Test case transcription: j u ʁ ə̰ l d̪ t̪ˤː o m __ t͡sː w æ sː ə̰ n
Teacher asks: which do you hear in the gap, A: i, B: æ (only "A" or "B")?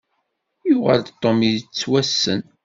A